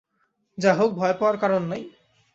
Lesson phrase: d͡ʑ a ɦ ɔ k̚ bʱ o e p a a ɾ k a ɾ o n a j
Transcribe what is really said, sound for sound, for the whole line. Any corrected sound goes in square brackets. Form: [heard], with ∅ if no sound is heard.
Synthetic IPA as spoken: d͡ʑ a ɦ [o] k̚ bʱ [ɔ] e p a a ɾ k a ɾ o [nː] a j